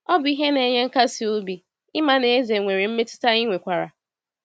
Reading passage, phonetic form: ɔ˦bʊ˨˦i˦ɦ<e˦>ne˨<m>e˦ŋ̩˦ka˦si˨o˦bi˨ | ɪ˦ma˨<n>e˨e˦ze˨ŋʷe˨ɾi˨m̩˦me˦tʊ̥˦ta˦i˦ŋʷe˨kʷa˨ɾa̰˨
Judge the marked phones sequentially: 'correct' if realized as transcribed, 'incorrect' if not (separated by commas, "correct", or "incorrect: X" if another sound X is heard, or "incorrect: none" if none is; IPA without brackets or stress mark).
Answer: correct, incorrect: ɲ, correct